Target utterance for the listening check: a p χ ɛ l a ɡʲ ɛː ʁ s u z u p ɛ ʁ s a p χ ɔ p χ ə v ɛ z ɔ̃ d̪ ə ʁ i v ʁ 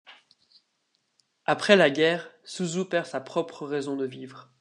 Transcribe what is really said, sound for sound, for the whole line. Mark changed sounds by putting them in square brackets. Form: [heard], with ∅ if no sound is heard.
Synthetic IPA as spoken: a p χ ɛ l a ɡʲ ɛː ʁ s u z u p ɛ ʁ s a p χ ɔ p χ ə [ʁ] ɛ z ɔ̃ d̪ ə [v] i v ʁ